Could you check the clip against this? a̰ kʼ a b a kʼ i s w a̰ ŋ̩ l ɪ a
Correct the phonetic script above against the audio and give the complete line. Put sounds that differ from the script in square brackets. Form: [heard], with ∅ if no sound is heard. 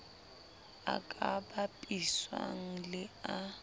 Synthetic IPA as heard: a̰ kʼ a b a [pʼ] i s w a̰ ŋ̩ l ɪ a